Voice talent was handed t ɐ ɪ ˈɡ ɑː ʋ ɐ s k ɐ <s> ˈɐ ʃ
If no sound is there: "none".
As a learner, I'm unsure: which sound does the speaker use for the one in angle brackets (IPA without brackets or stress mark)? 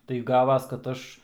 t